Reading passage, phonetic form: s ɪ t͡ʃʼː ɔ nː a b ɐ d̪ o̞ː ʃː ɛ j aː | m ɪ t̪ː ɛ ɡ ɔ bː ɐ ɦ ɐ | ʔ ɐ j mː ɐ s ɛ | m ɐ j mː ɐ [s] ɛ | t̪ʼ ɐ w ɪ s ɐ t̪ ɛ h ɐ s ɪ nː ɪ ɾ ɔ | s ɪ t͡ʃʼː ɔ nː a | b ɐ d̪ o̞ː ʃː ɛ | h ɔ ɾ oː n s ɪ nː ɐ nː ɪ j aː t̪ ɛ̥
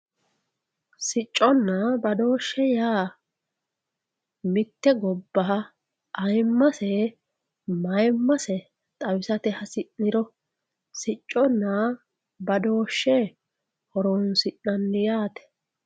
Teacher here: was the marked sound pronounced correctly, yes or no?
yes